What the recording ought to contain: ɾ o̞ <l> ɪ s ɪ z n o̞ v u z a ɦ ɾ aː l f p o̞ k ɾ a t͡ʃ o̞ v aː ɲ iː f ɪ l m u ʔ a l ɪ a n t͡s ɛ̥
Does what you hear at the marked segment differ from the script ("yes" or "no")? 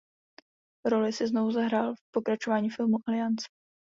no